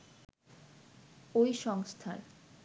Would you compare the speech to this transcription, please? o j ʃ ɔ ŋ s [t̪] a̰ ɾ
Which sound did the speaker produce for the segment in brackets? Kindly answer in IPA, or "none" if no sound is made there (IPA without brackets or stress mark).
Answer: t̪ʰ